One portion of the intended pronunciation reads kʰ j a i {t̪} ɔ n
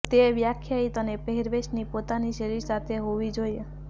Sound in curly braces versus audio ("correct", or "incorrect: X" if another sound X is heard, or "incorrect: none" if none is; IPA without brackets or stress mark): correct